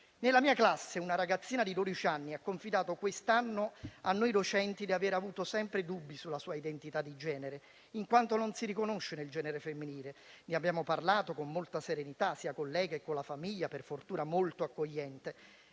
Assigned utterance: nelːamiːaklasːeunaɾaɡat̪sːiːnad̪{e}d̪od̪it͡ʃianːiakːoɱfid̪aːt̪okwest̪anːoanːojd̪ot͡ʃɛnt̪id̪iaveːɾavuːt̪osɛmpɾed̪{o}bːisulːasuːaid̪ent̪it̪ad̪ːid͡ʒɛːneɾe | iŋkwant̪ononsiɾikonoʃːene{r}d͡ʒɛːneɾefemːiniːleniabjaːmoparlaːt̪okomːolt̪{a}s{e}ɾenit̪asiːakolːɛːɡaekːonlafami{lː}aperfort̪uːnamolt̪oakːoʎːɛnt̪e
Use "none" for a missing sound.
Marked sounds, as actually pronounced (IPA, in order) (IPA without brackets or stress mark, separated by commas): i, u, l, a, e, ʎː